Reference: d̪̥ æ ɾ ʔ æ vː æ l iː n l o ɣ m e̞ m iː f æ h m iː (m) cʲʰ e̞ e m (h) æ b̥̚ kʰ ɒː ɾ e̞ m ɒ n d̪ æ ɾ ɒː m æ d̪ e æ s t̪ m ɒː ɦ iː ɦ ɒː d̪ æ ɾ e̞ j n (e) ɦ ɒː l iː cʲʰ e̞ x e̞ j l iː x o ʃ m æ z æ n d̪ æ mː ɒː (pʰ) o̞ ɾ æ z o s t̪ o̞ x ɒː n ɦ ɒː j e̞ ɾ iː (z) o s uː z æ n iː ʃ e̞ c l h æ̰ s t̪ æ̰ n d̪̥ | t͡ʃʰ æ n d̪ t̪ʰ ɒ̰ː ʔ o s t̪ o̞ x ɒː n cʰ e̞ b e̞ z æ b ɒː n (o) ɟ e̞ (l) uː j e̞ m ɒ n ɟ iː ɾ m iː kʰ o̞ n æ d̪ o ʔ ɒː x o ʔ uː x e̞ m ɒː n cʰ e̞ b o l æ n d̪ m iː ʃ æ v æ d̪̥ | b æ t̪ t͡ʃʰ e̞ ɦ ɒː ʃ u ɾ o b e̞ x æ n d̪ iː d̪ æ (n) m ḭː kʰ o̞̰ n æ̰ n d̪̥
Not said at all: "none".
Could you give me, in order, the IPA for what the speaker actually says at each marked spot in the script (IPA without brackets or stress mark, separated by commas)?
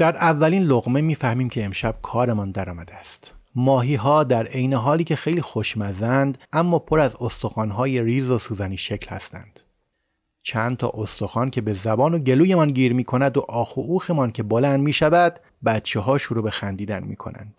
m, ʃ, e, pʰ, z, o, l, n